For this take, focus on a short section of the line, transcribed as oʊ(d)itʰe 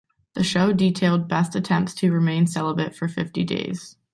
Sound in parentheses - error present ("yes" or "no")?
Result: no